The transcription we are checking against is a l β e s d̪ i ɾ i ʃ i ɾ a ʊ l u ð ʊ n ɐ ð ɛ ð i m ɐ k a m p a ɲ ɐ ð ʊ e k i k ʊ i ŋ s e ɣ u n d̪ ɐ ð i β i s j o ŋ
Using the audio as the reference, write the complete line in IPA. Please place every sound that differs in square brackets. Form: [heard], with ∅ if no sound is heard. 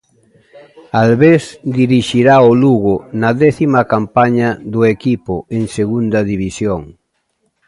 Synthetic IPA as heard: a l β e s d̪ i ɾ i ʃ i ɾ a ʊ l u [ɣ] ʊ n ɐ ð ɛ [θ] i m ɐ k a m p a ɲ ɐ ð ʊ e k i [p] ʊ [e] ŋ s e ɣ u n d̪ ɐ ð i β i s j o ŋ